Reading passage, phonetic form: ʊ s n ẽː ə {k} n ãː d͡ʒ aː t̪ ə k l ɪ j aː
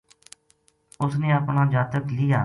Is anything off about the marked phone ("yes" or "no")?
yes